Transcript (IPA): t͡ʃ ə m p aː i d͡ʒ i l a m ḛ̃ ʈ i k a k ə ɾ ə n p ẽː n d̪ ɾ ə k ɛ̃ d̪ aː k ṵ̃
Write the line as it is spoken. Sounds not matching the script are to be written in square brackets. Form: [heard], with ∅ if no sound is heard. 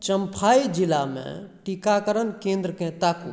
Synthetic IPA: t͡ʃ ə m [pʰ] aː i d͡ʒ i l a m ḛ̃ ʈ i k a k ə ɾ ə n [k] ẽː n d̪ ɾ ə k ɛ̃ [t̪] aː k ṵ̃